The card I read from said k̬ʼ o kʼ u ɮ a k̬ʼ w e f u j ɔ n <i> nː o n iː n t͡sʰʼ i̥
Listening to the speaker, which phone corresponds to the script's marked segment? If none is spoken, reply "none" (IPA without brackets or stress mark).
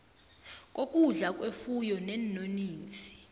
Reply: ɛ